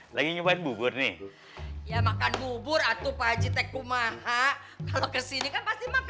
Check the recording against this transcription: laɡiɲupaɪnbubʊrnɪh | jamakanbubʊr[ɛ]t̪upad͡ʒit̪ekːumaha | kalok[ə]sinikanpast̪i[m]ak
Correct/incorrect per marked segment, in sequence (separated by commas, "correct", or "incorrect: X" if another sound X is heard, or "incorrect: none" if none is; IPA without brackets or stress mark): incorrect: a, correct, correct